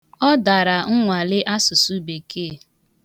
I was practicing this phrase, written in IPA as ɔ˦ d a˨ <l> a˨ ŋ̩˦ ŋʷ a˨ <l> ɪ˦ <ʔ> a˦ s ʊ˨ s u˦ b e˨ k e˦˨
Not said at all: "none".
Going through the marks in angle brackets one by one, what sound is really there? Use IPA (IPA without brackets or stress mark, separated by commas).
ɾ, l, ʔ